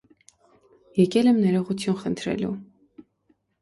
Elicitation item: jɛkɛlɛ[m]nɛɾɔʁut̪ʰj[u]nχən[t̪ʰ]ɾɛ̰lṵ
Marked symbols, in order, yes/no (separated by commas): yes, yes, yes